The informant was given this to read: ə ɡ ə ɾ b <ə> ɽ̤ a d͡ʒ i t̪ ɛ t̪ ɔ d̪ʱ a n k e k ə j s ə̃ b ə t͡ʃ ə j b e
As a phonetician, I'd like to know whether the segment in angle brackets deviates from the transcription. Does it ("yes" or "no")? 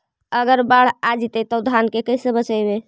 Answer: yes